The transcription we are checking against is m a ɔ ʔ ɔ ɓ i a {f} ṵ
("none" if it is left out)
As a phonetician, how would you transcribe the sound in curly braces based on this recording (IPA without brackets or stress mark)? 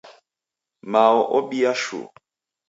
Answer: ʃ